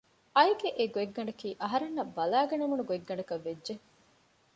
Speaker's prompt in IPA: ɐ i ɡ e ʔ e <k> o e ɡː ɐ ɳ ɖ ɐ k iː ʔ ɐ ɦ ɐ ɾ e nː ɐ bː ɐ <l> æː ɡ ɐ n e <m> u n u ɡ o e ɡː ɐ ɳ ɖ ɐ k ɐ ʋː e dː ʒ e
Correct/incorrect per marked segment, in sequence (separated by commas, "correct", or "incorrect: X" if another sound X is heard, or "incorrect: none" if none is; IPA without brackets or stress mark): incorrect: ɡ, correct, correct